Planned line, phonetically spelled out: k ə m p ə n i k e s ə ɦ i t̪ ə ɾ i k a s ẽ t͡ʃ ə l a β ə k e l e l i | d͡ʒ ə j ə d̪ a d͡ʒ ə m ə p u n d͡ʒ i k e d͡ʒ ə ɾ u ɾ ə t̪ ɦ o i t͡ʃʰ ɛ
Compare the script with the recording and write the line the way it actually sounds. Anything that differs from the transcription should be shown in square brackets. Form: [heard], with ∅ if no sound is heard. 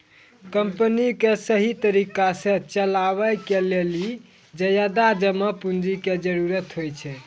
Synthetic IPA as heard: k ə m p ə n i k e s ə ɦ i t̪ ə ɾ i k a s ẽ t͡ʃ ə l a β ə k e l e l i | d͡ʒ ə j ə d̪ a d͡ʒ ə m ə p u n d͡ʒ i k e d͡ʒ ə ɾ u ɾ ə t̪ ɦ o [j] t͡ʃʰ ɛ